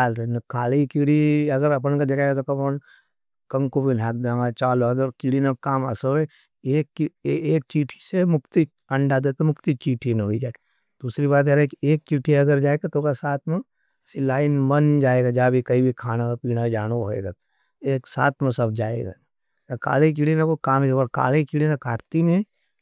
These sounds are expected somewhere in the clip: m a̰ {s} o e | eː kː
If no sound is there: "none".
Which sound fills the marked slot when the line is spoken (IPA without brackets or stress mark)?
s